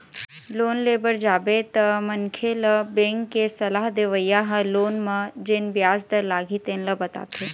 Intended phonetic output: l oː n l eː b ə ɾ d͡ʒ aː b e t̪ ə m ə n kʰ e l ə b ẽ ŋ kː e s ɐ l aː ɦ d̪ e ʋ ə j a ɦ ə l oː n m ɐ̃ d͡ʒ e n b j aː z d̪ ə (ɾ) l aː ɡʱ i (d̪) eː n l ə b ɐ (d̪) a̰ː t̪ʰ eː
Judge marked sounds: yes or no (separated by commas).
yes, no, no